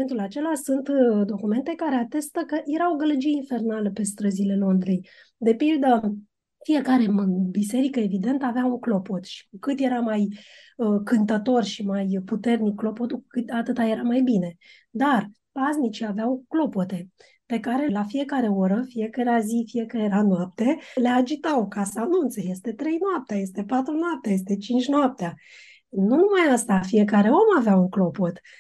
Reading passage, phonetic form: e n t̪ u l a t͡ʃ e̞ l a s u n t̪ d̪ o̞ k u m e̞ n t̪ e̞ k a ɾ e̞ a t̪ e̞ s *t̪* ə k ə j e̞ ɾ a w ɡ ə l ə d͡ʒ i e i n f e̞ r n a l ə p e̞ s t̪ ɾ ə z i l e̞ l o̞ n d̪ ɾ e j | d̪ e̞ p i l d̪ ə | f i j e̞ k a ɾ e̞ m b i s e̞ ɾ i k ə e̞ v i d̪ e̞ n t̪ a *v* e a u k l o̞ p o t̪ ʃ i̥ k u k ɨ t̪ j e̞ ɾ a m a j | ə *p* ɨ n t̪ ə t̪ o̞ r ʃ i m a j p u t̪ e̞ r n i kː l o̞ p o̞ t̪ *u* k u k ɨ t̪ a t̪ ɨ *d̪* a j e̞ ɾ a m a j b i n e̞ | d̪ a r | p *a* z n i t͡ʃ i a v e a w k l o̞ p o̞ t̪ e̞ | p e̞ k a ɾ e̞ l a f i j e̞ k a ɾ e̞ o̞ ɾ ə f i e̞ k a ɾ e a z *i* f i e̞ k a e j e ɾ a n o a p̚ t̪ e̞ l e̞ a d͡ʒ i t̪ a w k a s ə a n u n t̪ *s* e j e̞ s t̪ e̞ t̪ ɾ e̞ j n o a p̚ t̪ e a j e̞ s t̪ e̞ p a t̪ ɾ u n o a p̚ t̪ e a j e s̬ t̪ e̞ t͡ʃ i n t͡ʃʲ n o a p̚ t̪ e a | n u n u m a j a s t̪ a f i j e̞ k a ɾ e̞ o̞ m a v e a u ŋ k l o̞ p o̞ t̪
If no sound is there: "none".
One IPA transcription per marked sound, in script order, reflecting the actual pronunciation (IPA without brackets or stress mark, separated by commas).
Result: t̪, v, k, u, t̪, a, i, s